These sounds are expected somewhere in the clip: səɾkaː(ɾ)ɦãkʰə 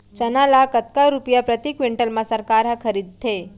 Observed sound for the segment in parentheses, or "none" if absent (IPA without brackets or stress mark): ɾ